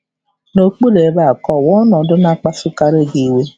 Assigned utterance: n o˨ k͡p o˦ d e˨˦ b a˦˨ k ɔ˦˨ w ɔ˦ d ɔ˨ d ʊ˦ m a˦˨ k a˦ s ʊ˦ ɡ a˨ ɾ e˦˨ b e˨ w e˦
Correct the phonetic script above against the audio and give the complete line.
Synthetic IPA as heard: n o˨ k͡p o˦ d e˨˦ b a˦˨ k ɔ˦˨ w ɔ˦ n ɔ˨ d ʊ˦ n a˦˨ k͡p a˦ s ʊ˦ k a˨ ɾ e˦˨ ɡ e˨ w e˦